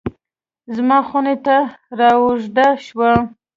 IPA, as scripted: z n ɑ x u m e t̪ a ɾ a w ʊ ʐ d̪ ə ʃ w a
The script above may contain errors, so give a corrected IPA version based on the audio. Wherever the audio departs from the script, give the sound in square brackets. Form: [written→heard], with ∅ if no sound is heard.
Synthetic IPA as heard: z [n→m] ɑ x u [m→n] e t̪ a ɾ [a→ɑ] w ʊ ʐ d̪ [ə→a] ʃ w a